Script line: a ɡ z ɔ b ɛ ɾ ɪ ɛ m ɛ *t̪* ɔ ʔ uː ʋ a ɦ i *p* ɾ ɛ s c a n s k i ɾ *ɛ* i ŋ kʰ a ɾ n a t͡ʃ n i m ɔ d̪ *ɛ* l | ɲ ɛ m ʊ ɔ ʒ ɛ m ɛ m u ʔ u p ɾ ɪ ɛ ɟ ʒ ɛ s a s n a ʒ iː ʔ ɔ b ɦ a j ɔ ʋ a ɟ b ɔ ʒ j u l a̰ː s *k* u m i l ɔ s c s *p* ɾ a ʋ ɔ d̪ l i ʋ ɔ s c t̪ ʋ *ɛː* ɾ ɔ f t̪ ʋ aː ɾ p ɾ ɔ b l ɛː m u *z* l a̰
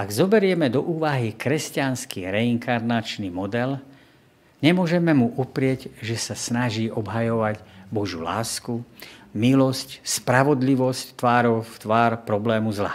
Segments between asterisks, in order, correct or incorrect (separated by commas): incorrect, incorrect, correct, correct, correct, correct, incorrect, correct